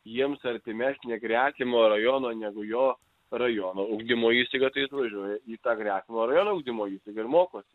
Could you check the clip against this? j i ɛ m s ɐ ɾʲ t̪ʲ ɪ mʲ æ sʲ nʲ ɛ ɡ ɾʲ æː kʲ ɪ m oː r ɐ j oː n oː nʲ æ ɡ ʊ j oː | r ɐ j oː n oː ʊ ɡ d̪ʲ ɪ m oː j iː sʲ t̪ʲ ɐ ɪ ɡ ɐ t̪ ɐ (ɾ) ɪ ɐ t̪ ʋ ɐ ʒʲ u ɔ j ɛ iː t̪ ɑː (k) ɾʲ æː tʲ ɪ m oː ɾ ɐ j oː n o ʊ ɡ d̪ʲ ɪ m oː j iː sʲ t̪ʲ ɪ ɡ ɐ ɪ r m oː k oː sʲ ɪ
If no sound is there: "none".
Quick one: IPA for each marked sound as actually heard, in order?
none, ɡ

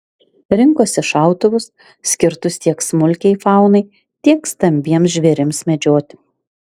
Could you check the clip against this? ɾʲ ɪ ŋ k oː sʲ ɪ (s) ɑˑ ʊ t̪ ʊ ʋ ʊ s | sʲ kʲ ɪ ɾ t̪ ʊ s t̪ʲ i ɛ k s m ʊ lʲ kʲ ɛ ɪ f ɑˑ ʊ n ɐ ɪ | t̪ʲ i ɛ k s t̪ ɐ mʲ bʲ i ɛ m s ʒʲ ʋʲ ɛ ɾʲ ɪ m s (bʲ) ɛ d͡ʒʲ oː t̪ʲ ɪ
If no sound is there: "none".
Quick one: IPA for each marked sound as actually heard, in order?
ʃ, mʲ

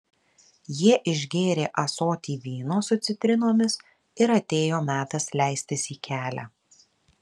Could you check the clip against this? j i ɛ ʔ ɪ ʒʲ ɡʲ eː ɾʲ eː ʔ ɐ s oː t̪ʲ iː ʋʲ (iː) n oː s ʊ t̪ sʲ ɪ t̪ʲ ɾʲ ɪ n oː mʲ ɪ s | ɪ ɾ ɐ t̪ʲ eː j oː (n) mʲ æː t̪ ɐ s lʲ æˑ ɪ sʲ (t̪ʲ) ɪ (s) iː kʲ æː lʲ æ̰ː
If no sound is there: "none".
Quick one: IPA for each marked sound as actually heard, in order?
iː, none, t̪ʲ, s

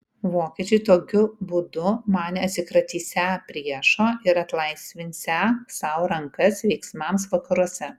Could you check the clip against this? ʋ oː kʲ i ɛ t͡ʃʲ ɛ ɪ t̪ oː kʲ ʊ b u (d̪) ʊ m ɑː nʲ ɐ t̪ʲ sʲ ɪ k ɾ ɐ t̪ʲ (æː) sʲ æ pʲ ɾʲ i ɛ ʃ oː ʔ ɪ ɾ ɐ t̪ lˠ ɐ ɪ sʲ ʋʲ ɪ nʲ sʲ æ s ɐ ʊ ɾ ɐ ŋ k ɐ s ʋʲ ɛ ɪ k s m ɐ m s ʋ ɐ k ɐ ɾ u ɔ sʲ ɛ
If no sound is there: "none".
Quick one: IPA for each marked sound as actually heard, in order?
d̪, iː

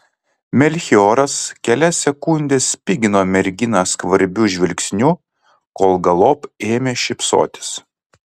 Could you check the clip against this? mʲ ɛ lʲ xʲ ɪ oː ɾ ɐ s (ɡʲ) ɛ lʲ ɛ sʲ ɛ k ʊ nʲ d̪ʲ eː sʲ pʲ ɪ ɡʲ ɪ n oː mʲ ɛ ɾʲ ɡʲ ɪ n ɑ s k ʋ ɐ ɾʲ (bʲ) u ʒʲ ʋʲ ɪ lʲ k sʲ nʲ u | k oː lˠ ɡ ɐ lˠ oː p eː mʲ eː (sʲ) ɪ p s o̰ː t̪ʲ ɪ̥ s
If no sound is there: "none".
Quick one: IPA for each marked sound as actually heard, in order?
kʲ, bʲ, ʃʲ

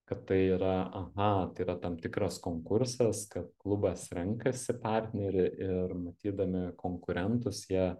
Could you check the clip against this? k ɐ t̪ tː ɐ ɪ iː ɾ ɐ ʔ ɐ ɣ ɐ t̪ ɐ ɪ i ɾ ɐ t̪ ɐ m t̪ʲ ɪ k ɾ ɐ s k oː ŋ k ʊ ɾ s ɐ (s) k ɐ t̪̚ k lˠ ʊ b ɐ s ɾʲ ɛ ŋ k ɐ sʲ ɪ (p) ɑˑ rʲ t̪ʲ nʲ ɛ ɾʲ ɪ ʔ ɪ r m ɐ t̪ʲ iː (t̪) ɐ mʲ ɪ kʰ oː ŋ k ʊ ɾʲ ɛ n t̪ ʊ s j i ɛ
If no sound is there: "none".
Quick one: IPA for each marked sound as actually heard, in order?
s, p, d̪

